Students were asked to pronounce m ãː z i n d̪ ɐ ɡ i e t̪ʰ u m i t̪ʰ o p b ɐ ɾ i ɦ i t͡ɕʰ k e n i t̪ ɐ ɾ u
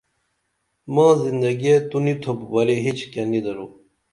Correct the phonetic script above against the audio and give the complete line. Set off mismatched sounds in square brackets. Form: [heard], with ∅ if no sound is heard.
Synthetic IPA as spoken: m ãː z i n d̪ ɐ ɡ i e [t̪] u [n] i t̪ʰ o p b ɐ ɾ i ɦ i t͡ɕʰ k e n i [d̪] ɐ ɾ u

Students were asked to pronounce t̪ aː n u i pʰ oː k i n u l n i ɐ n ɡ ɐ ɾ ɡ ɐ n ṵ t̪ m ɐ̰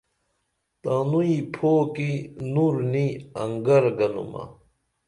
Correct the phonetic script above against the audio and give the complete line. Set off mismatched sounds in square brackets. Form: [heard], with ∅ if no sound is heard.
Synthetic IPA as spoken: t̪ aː n u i pʰ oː k i n u [ɾ] n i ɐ [ŋ] ɡ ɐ ɾ ɡ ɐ n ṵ [∅] m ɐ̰

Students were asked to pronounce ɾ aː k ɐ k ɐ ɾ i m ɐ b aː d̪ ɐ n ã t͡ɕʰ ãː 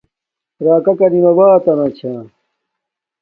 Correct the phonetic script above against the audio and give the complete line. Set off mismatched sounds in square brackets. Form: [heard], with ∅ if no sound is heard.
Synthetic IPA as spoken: ɾ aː k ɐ k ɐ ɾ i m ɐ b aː [t̪] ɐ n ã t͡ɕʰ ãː

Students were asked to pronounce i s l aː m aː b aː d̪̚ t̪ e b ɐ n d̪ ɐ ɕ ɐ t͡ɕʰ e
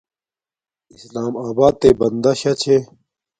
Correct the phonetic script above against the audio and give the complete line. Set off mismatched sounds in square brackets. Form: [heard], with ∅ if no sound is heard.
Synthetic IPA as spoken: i s l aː m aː b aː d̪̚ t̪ e b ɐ n d̪ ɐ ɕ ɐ t͡ɕʰ e

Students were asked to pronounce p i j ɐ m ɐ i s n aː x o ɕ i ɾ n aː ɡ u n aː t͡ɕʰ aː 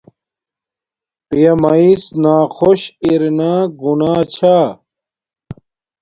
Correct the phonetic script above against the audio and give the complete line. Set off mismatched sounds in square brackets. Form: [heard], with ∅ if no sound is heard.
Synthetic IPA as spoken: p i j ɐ m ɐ i s n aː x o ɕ i ɾ n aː ɡ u n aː t͡ɕʰ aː

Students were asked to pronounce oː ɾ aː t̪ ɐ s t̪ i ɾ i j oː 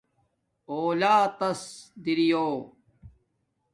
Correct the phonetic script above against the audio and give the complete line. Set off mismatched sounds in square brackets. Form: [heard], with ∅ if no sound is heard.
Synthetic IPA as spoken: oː [l] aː t̪ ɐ s [d̪] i ɾ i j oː

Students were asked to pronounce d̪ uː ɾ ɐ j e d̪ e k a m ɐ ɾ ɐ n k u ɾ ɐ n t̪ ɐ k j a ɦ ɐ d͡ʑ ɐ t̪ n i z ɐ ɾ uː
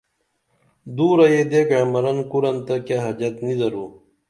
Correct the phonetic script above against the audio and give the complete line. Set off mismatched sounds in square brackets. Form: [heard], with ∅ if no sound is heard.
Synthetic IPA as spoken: d̪ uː ɾ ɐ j e d̪ e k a m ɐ ɾ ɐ n k u ɾ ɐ n t̪ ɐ k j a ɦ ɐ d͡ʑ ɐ t̪ n i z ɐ ɾ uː

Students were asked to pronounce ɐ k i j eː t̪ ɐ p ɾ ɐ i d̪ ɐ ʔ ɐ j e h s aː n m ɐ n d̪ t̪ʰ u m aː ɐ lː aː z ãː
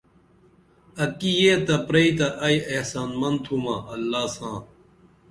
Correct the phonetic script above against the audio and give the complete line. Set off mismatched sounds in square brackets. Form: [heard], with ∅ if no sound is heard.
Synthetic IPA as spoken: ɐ k i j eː t̪ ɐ p ɾ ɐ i [t̪] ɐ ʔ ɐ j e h s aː n m ɐ n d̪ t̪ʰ u m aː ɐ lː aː [s] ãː

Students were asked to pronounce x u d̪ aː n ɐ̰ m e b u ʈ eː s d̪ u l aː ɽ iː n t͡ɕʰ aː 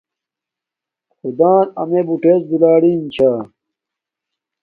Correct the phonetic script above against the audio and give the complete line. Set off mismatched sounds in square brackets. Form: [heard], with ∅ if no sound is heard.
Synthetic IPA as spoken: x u d̪ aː n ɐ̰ m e b u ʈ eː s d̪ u l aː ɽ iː n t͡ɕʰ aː

